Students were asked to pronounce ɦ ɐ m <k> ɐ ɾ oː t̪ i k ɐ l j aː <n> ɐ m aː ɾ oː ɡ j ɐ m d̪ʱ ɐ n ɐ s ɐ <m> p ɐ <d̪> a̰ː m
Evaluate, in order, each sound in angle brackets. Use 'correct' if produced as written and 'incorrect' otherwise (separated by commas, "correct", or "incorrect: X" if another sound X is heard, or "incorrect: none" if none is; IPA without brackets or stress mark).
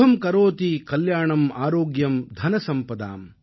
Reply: correct, incorrect: ɳ, correct, correct